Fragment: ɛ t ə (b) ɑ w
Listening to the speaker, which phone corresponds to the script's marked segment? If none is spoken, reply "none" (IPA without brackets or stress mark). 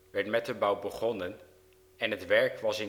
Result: b